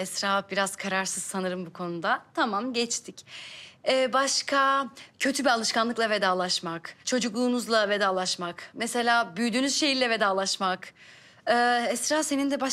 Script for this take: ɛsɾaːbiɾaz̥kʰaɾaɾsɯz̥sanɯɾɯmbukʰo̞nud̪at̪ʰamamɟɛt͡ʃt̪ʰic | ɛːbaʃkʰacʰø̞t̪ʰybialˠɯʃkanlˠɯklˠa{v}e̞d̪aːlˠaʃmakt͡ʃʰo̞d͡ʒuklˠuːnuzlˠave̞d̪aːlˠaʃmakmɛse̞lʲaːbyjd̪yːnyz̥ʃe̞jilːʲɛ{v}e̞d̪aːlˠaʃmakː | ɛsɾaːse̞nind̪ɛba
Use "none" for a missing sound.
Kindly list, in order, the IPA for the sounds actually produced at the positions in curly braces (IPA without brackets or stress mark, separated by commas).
v, v